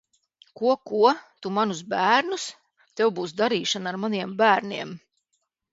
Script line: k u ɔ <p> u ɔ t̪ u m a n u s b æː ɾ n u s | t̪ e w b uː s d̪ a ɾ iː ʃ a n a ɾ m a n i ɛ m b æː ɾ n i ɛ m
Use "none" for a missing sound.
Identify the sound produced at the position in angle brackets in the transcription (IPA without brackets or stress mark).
k